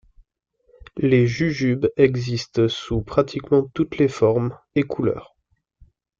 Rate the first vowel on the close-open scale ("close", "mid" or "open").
mid